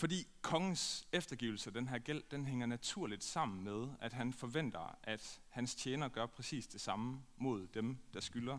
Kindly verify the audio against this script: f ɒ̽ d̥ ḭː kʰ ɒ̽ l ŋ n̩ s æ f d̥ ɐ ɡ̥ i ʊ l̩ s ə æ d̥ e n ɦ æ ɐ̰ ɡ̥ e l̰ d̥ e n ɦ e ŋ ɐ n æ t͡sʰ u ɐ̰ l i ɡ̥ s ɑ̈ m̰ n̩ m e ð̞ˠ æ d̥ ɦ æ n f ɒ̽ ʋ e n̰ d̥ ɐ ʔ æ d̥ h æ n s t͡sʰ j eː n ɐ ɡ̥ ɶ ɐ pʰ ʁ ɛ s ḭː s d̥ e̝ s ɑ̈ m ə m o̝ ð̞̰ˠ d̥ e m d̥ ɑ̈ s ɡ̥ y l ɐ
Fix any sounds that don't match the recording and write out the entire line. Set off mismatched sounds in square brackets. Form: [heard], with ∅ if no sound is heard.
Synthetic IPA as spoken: f ɒ̽ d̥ ḭː kʰ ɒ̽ [∅] ŋ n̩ s [e] f d̥ ɐ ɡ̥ i ʊ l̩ s ə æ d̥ e n ɦ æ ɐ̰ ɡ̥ e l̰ d̥ e n ɦ e ŋ ɐ n æ t͡sʰ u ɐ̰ l i [d̥] s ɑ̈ m̰ n̩ m e ð̞ˠ æ d̥ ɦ æ n f ɒ̽ ʋ e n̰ d̥ ɐ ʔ æ d̥ h æ n s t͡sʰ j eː n ɐ ɡ̥ ɶ ɐ pʰ ʁ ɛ s ḭː s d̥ e̝ s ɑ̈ m ə m o̝ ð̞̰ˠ d̥ e m d̥ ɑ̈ s ɡ̥ y l ɐ